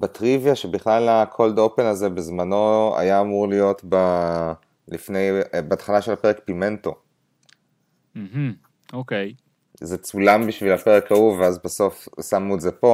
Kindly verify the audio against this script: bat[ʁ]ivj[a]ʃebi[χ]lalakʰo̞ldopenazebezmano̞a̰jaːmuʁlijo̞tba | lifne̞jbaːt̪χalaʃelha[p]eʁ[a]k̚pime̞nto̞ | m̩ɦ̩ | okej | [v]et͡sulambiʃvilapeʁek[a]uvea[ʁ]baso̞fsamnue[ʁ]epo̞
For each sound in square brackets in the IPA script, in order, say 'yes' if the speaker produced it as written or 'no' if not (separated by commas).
yes, yes, yes, yes, no, no, yes, no, no